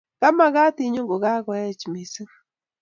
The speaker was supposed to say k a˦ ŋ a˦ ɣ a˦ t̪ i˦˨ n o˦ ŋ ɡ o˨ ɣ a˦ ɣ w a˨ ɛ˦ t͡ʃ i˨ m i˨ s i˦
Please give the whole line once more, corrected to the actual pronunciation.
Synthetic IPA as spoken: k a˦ m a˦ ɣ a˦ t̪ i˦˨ ɲ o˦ ŋ ɡ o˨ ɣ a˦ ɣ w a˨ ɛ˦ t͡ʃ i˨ m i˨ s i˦